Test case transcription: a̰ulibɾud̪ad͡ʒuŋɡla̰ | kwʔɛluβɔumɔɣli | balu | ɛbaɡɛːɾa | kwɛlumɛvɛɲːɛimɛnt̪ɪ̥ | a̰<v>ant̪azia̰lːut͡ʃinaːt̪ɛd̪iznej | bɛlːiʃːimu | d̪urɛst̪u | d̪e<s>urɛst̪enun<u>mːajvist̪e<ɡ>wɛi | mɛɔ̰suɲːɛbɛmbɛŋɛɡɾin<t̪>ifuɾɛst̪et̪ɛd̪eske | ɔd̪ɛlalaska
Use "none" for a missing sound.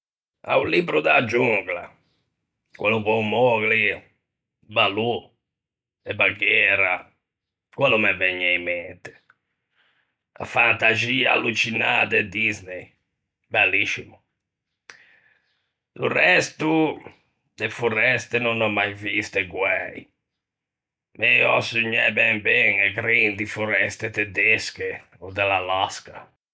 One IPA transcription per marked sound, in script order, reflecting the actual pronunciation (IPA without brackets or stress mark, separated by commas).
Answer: f, f, ɔ, ɡ, d̪